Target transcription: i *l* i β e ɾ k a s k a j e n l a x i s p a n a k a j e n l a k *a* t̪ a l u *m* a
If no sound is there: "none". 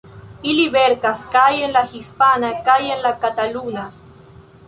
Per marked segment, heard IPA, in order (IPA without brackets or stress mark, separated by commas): l, a, n